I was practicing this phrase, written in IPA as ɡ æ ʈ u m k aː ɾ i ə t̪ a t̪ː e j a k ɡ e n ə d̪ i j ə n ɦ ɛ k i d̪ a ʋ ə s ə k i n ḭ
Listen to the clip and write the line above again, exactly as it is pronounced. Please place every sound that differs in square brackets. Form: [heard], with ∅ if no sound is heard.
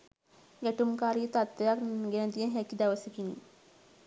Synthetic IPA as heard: ɡ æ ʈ u m k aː ɾ i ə t̪ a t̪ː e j a k ɡ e n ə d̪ i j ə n ɦ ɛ k i d̪ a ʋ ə s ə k i n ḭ